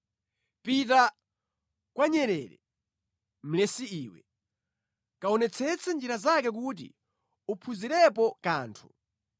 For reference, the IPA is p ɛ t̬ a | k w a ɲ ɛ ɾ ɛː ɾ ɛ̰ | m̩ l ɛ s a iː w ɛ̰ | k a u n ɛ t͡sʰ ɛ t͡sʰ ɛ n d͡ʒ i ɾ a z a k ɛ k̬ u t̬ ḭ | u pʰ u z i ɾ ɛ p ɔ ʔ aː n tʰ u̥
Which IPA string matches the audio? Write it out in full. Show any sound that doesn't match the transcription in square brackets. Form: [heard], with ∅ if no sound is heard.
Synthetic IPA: p [i] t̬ a | k w a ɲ ɛ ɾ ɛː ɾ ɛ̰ | m̩ l ɛ s [i] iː w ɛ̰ | k a [ɔ] n ɛ t͡sʰ ɛ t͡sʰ ɛ n d͡ʒ i ɾ a z a k ɛ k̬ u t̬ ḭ | u pʰ u z i ɾ ɛ p ɔ [k] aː n tʰ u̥